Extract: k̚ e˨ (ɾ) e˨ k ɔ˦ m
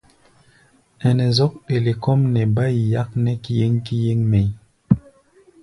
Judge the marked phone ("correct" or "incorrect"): incorrect